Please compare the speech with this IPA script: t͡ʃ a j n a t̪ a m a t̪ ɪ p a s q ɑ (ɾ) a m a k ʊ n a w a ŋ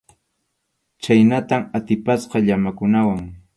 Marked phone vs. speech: incorrect: ʎ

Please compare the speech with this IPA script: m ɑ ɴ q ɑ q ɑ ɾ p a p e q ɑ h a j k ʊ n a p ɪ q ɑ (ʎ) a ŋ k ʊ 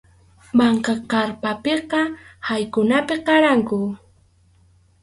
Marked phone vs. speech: incorrect: ɾ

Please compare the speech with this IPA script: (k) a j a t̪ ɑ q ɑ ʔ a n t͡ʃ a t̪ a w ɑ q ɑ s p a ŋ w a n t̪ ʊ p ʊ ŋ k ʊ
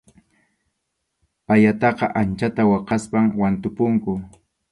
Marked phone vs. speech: incorrect: p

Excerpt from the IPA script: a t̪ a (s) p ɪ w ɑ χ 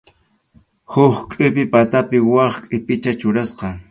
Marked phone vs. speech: incorrect: none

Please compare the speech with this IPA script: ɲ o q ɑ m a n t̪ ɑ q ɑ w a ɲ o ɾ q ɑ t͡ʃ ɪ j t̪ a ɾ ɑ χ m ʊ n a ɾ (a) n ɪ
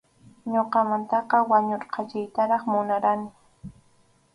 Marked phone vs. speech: correct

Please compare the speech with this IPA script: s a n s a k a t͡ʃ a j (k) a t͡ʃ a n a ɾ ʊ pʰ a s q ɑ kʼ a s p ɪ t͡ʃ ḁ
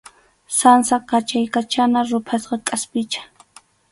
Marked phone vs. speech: correct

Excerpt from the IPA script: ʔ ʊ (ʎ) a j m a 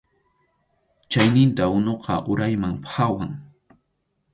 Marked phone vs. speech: incorrect: ɾ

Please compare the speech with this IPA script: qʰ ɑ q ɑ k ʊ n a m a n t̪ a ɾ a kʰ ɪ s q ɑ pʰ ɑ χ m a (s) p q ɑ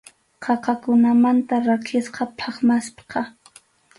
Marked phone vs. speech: correct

